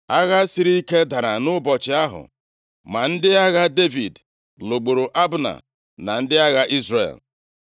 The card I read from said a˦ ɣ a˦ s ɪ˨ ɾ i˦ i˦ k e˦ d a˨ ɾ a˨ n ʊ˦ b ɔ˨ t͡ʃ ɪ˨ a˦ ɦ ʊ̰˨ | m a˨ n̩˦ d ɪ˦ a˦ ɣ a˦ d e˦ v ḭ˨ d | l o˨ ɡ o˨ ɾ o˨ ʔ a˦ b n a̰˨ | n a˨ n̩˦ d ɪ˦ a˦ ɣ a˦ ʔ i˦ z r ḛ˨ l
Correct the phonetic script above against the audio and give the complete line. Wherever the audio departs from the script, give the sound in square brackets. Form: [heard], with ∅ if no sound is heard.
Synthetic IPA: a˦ ɣ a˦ s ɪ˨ ɾ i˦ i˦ k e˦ d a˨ ɾ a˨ n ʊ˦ b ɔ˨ t͡ʃ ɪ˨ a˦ ɦ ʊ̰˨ | m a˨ n̩˦ d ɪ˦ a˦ ɣ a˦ d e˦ v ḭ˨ d | l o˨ [ɡ͡b] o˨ ɾ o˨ ʔ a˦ b n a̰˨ | n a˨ n̩˦ d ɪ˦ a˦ ɣ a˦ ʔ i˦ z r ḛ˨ l